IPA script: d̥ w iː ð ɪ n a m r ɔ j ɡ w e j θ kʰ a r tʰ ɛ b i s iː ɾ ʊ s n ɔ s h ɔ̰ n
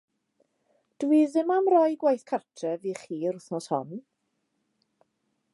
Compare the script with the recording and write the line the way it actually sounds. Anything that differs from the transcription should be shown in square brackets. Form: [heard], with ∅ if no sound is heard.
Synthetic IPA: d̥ w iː ð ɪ [m] a m r ɔ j ɡ w [a] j θ kʰ a r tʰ ɛ [v] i [χ] iː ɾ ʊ [θ] n ɔ s h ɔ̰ n